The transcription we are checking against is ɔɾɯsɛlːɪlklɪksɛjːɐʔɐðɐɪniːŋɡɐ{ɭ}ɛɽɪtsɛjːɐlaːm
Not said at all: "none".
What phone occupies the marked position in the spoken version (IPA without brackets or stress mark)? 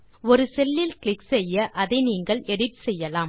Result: ɭ